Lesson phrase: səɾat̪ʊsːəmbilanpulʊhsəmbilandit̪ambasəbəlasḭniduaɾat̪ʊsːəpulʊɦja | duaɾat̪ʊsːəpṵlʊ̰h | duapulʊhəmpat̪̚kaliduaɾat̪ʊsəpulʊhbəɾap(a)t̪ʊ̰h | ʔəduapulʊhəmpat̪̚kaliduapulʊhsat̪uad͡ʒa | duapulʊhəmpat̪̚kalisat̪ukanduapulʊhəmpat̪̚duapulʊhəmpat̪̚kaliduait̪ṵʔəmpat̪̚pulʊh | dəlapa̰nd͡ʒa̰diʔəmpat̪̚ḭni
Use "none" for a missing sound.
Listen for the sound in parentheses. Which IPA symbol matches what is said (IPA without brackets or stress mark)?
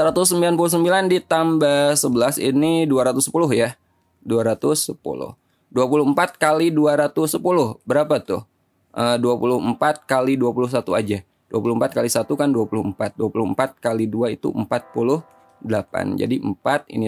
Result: a